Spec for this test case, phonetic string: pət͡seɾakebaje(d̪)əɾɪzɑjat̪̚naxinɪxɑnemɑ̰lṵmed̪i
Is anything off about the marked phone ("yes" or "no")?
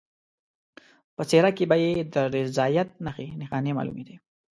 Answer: no